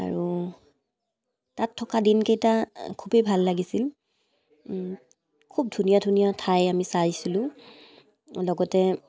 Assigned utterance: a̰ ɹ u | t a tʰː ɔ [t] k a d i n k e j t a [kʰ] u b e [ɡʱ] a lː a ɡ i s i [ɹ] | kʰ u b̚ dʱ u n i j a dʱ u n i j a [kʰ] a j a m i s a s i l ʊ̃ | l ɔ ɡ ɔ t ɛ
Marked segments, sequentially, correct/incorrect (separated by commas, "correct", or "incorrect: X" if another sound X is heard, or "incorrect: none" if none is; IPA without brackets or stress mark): incorrect: none, correct, incorrect: bʱ, incorrect: l, incorrect: tʰ